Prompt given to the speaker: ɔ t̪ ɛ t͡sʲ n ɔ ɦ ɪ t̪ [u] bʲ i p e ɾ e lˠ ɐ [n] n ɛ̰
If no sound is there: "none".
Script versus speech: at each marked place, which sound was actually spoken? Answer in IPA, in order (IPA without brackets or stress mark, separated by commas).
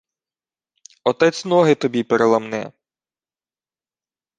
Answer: ɔ, m